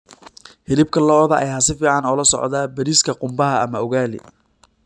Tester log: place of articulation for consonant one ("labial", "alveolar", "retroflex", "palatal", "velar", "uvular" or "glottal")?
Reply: glottal